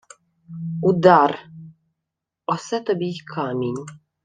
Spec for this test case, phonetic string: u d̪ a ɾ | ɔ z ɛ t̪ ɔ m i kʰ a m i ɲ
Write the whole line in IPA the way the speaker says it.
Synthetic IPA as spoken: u d̪ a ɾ | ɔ s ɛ t̪ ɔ b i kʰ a m i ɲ